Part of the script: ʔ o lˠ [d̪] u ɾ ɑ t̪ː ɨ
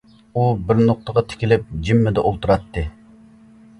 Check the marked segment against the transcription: incorrect: t̪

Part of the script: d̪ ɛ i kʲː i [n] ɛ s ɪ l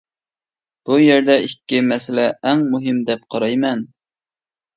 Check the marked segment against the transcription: incorrect: m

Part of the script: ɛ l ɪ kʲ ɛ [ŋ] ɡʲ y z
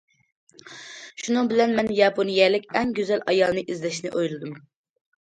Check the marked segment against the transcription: correct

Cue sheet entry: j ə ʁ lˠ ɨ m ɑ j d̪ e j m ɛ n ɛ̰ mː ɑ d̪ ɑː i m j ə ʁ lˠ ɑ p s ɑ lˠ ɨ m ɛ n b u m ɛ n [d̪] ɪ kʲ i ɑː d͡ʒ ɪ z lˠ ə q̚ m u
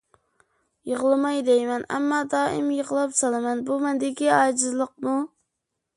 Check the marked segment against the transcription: correct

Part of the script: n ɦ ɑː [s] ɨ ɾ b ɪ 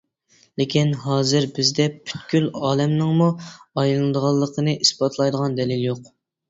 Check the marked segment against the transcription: incorrect: z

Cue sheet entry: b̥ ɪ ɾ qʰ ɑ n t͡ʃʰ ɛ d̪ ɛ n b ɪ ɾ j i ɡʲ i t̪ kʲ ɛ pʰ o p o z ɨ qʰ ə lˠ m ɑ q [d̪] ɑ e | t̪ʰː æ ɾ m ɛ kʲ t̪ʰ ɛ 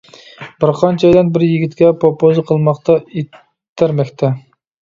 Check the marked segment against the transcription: incorrect: t̪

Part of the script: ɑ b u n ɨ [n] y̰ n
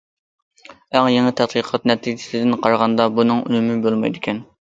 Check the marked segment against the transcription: incorrect: ŋ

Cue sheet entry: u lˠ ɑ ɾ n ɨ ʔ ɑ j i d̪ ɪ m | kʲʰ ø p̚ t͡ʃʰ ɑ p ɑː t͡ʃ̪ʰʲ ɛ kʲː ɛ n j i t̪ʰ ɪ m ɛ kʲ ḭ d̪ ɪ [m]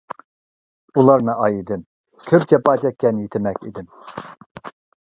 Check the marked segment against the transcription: correct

